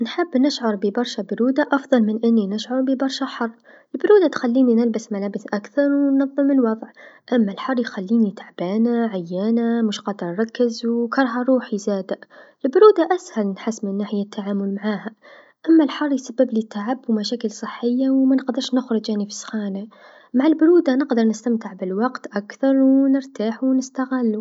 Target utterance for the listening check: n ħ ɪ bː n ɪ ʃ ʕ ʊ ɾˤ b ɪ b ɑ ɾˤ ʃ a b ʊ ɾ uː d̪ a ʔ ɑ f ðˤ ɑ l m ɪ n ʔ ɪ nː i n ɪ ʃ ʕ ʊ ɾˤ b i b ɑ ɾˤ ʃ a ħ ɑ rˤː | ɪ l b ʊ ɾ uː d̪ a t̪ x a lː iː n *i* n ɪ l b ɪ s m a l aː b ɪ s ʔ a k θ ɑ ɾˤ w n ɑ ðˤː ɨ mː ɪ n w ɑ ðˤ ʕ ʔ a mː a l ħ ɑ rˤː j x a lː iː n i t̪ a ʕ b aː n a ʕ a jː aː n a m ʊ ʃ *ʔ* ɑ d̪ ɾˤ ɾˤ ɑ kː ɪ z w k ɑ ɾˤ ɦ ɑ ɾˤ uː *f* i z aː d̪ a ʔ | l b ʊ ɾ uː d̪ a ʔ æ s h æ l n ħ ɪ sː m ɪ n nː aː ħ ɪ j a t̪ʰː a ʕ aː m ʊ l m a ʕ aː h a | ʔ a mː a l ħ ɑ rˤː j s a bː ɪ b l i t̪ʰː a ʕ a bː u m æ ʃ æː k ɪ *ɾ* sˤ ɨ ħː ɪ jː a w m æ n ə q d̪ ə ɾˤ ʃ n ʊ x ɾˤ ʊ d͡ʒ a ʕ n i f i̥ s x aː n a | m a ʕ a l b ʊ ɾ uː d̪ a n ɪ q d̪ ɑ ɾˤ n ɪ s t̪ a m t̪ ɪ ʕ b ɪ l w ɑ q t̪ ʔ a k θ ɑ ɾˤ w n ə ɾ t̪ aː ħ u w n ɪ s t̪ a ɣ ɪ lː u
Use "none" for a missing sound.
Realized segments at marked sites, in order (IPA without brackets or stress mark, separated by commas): i, q, ħ, l